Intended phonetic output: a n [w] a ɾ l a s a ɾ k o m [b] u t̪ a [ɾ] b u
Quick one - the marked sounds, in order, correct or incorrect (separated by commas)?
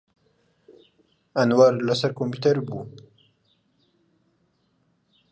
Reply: correct, incorrect, correct